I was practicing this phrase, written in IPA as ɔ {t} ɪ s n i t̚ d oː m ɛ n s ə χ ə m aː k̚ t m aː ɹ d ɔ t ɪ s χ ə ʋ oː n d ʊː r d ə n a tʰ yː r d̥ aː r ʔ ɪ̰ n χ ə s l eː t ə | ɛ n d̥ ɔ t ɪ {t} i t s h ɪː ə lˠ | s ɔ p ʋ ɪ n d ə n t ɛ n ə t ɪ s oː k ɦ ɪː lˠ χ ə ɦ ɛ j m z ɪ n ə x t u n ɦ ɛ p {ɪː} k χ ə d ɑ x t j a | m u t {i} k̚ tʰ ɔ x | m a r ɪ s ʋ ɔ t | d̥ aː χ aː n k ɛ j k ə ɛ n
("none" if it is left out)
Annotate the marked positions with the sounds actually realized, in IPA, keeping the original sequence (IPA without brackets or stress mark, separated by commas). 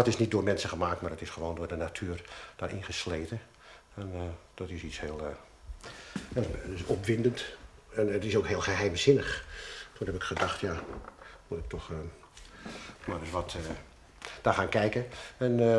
t, s, ɪ, ɪ